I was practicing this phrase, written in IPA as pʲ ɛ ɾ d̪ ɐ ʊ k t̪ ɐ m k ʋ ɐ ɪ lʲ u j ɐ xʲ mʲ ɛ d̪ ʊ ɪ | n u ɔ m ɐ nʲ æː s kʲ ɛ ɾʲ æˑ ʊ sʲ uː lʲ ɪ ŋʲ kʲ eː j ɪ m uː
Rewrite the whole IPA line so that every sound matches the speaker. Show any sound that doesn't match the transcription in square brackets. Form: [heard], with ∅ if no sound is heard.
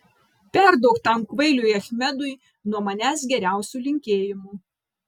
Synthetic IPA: pʲ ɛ ɾ d̪ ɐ ʊ k t̪ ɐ m k ʋ ɐ ɪ lʲ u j ɐ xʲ mʲ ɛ d̪ ʊ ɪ | n u ɔ m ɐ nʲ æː s [ɡʲ] ɛ ɾʲ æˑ ʊ sʲ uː lʲ ɪ ŋʲ kʲ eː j ɪ m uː